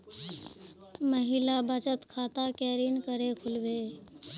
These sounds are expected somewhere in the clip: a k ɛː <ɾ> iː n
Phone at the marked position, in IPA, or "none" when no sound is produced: ɾ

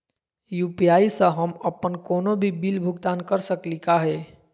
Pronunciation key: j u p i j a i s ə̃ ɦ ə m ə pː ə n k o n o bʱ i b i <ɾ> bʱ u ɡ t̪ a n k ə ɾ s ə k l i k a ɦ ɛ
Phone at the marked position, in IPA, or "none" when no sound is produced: l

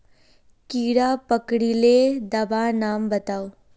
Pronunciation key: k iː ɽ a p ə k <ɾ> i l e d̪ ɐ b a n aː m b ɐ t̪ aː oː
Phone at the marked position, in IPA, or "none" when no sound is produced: ɽ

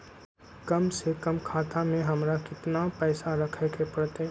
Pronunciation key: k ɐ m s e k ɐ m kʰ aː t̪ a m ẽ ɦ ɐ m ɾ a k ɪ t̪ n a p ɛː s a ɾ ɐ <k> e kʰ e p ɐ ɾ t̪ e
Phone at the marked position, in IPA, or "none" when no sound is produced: kʰ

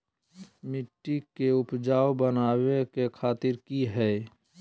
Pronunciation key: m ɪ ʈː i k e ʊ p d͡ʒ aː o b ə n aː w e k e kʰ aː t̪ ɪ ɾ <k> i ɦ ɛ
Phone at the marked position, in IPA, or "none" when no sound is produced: k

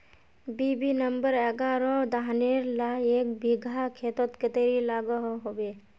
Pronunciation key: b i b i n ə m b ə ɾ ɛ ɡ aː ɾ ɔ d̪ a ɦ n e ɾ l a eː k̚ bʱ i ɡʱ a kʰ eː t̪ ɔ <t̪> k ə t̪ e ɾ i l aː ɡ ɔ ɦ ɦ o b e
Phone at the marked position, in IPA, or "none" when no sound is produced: t̪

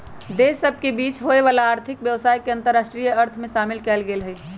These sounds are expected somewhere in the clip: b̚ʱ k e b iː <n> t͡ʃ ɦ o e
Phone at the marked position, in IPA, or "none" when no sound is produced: none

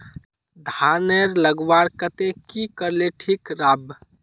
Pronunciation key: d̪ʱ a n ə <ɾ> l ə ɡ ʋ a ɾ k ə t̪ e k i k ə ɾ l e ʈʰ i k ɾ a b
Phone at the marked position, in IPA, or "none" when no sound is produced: ɾ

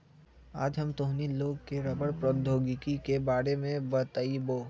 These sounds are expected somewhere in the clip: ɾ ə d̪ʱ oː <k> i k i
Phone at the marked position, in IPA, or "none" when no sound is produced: ɡ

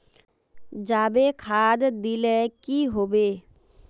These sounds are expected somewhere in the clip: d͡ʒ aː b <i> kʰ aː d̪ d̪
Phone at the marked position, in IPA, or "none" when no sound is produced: e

